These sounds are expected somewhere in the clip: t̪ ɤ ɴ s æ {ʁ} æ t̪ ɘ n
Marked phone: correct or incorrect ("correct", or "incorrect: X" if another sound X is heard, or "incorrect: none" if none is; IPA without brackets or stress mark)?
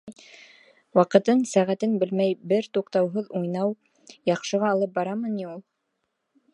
correct